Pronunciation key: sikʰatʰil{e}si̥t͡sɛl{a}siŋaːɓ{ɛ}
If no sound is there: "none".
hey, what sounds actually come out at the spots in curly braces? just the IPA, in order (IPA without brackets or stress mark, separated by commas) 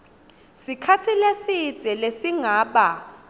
e, e, a